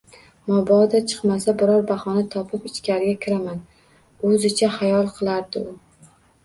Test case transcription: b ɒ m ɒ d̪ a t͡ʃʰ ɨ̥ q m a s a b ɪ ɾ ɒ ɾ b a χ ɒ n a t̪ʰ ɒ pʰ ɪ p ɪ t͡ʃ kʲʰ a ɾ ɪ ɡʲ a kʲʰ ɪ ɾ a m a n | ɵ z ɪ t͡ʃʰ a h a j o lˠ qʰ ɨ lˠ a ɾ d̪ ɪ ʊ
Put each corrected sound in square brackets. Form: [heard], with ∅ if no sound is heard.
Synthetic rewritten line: [m] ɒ [b] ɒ d̪ a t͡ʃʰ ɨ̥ q m a s a b ɪ ɾ ɒ ɾ b a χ ɒ n a t̪ʰ ɒ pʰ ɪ p ɪ t͡ʃ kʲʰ a ɾ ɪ ɡʲ a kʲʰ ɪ ɾ a m a n | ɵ z ɪ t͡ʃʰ a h a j [ɒ] lˠ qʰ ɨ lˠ a ɾ d̪ ɪ ʊ